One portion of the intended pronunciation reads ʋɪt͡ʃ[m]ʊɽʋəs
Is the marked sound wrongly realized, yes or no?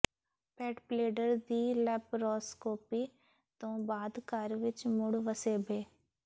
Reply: no